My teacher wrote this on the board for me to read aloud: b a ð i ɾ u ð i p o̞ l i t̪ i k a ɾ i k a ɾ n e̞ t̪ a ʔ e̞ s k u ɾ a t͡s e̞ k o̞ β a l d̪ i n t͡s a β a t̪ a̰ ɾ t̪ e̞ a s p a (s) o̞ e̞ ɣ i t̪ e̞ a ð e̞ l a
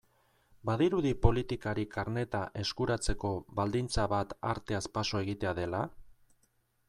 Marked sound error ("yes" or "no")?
no